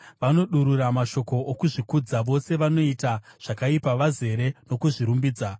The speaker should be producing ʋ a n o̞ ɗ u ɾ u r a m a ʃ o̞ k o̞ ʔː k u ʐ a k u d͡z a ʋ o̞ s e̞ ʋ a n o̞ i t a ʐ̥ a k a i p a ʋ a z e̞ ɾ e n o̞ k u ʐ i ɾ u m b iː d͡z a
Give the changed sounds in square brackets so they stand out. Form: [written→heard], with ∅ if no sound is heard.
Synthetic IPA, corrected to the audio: ʋ a n o̞ ɗ u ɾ u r a m a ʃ o̞ k o̞ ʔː k u ʐ [a→i] k u d͡z a ʋ o̞ s e̞ ʋ a n o̞ i t a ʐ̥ a k a i p a ʋ a z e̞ ɾ e n o̞ k u ʐ i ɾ u m b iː d͡z a